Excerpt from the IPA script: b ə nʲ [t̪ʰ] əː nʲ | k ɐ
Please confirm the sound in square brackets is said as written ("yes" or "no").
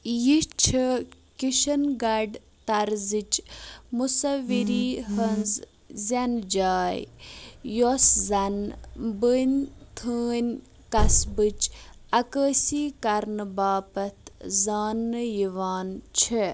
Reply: yes